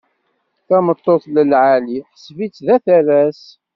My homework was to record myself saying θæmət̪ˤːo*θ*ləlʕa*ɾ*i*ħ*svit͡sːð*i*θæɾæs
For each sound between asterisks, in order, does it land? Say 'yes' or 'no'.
yes, no, yes, no

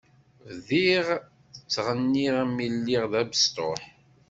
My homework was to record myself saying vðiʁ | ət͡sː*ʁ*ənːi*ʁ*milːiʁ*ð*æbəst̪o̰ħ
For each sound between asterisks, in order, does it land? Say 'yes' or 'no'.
yes, yes, yes

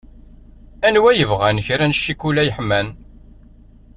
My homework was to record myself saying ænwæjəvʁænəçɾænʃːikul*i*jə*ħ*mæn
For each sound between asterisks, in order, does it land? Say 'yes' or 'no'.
no, yes

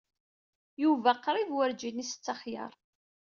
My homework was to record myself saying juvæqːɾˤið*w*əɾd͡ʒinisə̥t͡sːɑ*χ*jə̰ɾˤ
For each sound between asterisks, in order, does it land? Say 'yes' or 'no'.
yes, yes

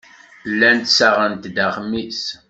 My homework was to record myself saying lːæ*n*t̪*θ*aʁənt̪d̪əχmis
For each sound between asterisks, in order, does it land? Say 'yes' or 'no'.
yes, no

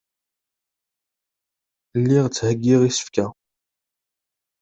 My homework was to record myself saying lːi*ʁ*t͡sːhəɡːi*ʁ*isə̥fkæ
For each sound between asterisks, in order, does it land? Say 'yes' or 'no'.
yes, yes

